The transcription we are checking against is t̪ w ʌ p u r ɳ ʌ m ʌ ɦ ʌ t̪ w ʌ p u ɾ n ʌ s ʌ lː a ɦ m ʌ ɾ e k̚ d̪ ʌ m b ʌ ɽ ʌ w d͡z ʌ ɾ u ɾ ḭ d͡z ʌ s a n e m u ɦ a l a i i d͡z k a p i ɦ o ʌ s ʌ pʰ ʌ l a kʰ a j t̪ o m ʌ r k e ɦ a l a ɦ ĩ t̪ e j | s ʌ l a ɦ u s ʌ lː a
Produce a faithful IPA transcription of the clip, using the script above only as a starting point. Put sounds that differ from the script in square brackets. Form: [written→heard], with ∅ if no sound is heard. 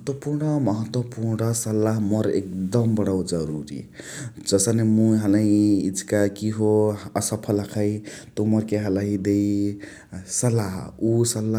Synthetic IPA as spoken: t̪ w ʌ p u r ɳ ʌ m ʌ ɦ ʌ t̪ w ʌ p u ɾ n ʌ s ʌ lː a ɦ m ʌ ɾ e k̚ d̪ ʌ m b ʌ ɽ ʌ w d͡z ʌ ɾ u ɾ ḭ d͡z ʌ s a n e m u ɦ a l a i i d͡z k a [p→k] i ɦ o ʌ s ʌ pʰ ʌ l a kʰ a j t̪ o m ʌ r k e ɦ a l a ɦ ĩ [t̪→d̪] e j | s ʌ l a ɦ u s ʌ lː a

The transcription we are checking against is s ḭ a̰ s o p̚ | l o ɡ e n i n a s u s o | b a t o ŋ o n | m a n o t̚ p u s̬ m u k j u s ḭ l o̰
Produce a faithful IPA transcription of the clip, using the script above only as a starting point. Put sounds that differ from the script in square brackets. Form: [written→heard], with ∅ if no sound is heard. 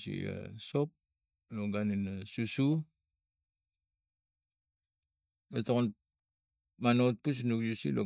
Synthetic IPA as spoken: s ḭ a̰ s o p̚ | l o ɡ [e→a] n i n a s u s [o→u] | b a t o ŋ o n | m a n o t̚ p u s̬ [m→n] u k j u s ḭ l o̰

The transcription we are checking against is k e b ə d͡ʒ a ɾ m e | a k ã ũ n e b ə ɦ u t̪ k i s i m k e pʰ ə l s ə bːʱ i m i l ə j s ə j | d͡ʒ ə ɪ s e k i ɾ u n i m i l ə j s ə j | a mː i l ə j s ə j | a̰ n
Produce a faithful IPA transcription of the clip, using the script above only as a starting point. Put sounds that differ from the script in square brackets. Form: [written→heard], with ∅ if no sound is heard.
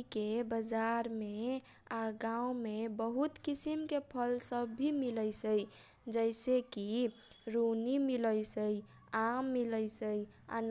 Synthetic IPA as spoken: k e b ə d͡ʒ a ɾ m e | a [k→ɡ] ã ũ [n→m] e b ə ɦ u t̪ k i s i m k e pʰ ə l s ə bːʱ i m i l ə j s ə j | d͡ʒ ə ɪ s e k i ɾ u n i m i l ə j s ə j | a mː i l ə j s ə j | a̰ n

